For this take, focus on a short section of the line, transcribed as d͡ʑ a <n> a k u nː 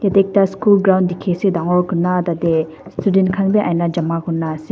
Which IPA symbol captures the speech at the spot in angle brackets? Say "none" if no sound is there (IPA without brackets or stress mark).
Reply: m